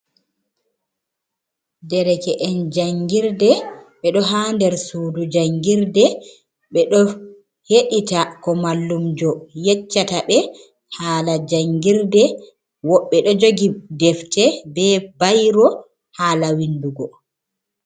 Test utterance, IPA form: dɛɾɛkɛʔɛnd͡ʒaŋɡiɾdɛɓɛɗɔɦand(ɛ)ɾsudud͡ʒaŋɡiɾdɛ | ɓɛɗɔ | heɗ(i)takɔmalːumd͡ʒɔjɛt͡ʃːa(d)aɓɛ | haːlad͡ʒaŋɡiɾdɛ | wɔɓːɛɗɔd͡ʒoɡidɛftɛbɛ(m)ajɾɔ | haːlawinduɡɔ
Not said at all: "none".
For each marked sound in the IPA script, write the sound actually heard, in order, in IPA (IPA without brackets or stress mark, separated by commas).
ɛ, i, t, b